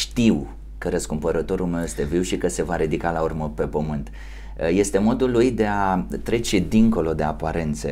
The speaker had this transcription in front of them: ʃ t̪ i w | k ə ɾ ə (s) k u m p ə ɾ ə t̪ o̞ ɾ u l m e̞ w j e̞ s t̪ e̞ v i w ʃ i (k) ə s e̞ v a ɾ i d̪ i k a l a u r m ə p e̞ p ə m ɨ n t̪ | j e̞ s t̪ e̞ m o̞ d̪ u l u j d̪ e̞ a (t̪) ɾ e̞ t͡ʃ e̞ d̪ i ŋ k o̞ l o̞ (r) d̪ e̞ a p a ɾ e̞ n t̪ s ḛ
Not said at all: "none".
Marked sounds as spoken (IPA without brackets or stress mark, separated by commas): s, k, t̪, none